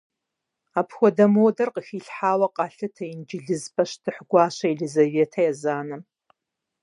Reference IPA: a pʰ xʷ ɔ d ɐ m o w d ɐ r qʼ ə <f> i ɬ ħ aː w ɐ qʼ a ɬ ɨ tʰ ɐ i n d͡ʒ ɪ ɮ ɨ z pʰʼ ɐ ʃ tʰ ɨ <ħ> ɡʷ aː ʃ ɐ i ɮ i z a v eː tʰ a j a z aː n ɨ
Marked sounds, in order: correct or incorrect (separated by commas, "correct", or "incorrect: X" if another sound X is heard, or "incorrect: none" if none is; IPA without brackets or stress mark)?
incorrect: x, correct